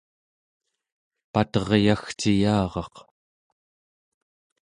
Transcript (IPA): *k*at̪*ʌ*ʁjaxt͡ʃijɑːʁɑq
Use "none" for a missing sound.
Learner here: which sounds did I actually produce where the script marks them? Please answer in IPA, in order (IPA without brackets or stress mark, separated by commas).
p, ʌ